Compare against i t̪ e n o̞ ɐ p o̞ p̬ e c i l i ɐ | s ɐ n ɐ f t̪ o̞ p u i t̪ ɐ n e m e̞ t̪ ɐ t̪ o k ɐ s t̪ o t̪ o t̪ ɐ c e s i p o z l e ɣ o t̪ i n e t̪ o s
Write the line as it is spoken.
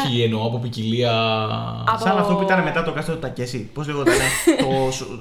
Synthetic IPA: i e n o̞ ɐ p o̞ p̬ i c i l i ɐ | s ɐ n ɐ f t̪ o̞ p u i t̪ ɐ n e m e̞ t̪ ɐ t̪ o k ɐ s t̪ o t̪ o t̪ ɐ c e s i p o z l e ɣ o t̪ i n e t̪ o s